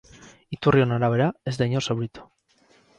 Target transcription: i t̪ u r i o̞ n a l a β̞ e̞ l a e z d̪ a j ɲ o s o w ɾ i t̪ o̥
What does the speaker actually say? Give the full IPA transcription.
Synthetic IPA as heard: i t̪ u r i o̞ n a ɾ a β̞ e̞ ɾ a e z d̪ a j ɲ o s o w ɾ i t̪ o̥